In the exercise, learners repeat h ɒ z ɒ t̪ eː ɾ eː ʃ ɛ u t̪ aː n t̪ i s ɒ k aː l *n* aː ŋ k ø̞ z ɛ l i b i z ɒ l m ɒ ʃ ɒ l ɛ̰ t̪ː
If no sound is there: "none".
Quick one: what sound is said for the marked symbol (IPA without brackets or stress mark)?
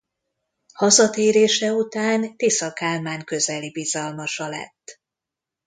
m